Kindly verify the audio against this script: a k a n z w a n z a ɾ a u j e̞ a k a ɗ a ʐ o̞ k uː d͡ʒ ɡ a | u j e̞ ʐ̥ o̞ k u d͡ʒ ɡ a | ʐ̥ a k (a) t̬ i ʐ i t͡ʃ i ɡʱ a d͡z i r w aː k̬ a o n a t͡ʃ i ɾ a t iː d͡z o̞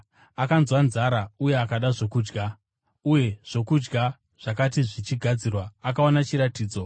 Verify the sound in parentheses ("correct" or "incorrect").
correct